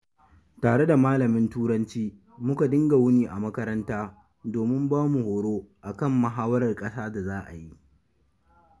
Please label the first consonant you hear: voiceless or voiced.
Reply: voiceless